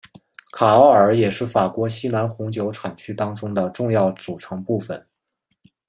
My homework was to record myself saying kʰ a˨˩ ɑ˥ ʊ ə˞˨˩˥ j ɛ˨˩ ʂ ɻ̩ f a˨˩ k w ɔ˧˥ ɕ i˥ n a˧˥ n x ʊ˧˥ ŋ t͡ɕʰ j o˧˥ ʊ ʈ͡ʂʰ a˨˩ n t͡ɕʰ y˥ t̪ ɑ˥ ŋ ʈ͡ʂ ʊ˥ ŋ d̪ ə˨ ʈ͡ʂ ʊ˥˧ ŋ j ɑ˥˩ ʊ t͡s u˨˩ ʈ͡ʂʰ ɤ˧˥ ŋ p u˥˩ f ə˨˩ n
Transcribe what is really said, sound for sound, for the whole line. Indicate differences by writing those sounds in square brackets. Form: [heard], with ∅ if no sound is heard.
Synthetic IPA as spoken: kʰ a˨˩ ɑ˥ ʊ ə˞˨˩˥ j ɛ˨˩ ʂ ɻ̩ f a˨˩ k w ɔ˧˥ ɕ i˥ n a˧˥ n x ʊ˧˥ ŋ [t͡ɕ] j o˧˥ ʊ ʈ͡ʂʰ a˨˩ n t͡ɕʰ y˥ t̪ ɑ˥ ŋ ʈ͡ʂ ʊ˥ ŋ d̪ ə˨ ʈ͡ʂ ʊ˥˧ ŋ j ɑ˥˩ ʊ t͡s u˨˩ ʈ͡ʂʰ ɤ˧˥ ŋ p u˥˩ f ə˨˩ n